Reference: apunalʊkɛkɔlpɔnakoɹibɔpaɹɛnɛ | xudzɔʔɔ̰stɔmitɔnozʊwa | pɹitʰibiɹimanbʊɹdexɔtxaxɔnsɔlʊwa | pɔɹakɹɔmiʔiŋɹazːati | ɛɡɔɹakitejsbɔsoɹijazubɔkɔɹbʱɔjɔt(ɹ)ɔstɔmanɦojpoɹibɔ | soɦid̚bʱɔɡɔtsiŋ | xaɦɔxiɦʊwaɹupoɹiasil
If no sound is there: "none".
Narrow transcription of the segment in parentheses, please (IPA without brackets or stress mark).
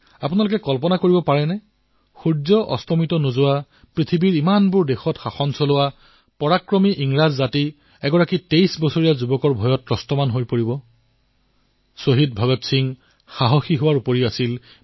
ɹ